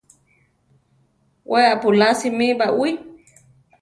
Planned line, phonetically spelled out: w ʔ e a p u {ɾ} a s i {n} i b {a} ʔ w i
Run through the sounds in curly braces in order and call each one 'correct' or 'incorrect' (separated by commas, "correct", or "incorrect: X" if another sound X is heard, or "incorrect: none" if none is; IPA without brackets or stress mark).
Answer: incorrect: l, incorrect: m, correct